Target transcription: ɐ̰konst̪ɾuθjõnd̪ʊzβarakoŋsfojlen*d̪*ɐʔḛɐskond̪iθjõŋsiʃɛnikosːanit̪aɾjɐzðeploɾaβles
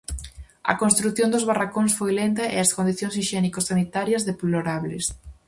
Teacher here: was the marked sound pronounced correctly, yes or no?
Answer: no